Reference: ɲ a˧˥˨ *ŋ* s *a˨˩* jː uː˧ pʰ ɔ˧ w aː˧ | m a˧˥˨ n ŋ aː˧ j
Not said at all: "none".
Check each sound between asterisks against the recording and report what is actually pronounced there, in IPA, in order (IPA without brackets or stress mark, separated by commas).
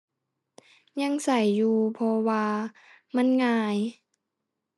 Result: ŋ, a˨˩